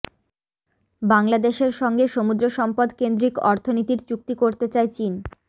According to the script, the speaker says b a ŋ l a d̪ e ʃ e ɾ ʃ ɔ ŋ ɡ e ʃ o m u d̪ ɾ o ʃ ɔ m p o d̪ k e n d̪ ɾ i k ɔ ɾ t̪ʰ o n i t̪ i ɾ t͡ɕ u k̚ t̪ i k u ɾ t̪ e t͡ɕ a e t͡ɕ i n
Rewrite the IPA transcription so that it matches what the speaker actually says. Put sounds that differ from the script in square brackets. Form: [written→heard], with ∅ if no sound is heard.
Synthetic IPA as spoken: b a ŋ l a d̪ e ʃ e ɾ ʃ ɔ ŋ ɡ e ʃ o m u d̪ ɾ o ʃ ɔ m p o d̪ k e n d̪ ɾ i k ɔ ɾ t̪ʰ o n i t̪ i ɾ t͡ɕ u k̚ t̪ i k [u→o] ɾ t̪ e t͡ɕ a e t͡ɕ i n